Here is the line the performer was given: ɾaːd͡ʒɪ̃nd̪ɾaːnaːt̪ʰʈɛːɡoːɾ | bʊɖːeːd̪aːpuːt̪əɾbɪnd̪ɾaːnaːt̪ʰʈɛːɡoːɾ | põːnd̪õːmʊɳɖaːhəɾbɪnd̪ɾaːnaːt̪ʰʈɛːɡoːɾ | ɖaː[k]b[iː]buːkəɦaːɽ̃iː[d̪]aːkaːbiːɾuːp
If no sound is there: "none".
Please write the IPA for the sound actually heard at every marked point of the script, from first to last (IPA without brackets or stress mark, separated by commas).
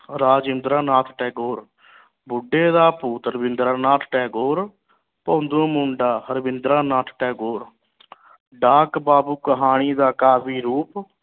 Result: k, aː, d̪